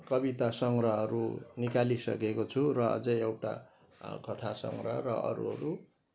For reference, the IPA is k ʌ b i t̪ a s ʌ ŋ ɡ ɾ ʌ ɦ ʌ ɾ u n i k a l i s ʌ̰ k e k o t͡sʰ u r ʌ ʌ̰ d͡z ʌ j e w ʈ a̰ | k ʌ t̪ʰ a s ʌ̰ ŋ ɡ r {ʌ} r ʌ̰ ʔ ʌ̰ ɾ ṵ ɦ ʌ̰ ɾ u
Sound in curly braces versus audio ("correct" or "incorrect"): correct